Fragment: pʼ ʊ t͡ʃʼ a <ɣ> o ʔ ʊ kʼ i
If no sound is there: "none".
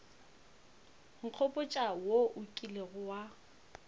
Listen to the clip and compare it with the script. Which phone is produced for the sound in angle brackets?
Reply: w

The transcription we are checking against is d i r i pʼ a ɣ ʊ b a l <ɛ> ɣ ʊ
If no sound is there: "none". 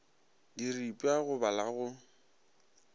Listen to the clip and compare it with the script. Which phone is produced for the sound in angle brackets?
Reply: a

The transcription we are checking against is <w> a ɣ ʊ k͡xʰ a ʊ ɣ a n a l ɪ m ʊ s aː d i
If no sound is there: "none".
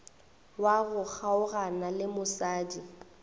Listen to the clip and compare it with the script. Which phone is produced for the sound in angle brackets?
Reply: w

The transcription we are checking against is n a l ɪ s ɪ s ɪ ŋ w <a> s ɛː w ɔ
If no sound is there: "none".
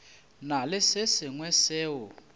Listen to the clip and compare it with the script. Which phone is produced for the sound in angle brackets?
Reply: ɛ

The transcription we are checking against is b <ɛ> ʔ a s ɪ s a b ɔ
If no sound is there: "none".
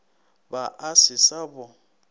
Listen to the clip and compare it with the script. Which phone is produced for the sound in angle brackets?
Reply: a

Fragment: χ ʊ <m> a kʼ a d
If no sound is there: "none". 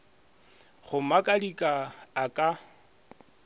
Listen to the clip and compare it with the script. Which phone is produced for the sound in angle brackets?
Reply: m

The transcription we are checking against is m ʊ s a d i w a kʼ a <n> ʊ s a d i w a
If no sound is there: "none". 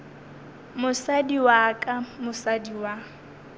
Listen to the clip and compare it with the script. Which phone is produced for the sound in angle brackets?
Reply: m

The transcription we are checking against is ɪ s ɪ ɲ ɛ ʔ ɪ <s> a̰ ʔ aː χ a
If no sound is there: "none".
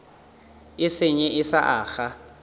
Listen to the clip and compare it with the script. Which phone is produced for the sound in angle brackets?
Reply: s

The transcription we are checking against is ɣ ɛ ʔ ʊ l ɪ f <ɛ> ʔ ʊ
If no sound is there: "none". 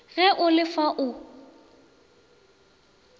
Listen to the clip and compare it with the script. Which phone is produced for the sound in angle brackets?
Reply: a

